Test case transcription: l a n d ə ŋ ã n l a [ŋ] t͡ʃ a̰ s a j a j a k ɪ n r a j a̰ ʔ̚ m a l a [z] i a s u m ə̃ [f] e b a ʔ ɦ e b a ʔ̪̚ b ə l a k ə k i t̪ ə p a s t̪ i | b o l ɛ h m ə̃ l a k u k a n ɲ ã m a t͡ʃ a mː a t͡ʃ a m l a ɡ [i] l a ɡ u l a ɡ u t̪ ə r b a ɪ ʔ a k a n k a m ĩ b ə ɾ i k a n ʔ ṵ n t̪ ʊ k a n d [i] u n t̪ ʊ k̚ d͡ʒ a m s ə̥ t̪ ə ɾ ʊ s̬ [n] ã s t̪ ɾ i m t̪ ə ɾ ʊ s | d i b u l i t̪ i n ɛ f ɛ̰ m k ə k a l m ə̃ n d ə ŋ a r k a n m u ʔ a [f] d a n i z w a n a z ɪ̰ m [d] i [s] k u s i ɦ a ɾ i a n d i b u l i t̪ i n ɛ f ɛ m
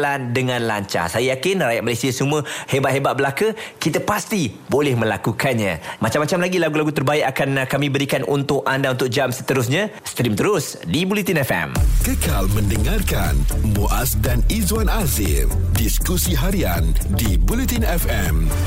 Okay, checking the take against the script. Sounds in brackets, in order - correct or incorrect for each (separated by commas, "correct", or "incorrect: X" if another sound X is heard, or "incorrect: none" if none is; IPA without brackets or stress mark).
incorrect: ɲ, incorrect: s, incorrect: h, correct, incorrect: a, incorrect: ɲ, incorrect: s, correct, correct